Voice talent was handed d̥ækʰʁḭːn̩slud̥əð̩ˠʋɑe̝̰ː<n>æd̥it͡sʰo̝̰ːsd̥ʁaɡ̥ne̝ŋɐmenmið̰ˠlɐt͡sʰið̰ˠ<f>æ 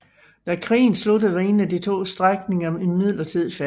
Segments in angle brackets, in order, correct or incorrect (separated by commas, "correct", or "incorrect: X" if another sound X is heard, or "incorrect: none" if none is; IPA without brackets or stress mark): correct, correct